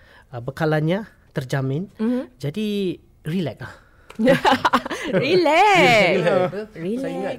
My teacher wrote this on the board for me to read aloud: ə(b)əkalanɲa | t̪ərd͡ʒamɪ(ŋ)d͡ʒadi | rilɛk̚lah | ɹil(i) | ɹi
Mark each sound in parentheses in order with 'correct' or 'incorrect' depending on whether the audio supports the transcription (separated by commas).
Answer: correct, incorrect, incorrect